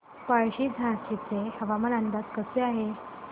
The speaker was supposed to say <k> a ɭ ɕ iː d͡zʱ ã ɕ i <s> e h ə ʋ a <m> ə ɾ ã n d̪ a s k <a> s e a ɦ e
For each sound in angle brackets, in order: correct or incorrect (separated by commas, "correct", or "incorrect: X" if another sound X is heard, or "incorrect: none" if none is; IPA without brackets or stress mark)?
incorrect: p, incorrect: t͡s, correct, incorrect: ə